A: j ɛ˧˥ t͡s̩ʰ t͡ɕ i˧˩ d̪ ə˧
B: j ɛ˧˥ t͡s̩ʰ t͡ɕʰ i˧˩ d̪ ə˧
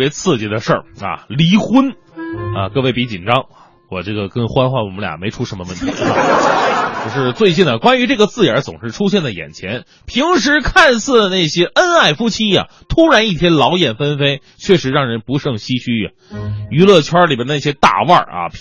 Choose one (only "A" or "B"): A